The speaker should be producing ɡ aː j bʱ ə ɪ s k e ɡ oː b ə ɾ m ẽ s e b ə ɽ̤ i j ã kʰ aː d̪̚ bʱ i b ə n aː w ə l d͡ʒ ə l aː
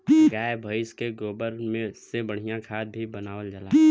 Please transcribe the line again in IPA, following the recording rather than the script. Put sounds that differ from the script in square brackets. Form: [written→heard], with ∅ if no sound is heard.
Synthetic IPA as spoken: ɡ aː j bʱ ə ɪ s k e ɡ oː b ə ɾ m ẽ s e b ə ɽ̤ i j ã kʰ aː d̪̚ bʱ i b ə n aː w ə l d͡ʒ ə l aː